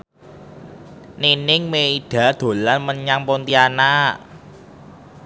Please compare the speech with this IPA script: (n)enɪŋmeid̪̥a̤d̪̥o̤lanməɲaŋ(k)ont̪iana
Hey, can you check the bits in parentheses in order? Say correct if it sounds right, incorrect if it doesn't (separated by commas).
correct, incorrect